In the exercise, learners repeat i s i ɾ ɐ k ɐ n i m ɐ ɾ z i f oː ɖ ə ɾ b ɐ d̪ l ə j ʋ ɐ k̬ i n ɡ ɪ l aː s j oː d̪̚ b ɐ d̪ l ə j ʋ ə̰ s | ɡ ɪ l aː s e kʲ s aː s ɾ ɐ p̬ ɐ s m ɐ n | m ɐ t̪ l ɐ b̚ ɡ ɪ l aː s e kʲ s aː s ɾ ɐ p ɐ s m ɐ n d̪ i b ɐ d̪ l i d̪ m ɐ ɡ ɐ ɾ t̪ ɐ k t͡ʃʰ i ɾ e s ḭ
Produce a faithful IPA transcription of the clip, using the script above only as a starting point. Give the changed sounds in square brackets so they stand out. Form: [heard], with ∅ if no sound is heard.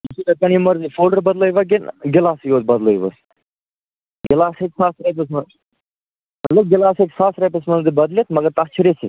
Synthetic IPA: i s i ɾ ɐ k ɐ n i m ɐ ɾ z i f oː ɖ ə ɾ b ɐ d̪ l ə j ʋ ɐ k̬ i n ɡ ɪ l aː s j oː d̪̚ b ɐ d̪ l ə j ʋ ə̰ s | ɡ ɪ l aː s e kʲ s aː s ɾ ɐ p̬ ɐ s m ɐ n | m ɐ t̪ l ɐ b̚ ɡ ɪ l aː s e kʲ s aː s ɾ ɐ p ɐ s m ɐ n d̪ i b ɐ d̪ l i [t̪] m ɐ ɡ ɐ ɾ t̪ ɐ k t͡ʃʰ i ɾ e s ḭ